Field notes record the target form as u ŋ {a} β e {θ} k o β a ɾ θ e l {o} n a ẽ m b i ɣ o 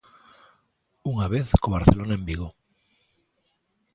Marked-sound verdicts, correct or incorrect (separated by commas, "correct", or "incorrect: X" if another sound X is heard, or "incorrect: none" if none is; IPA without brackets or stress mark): correct, correct, correct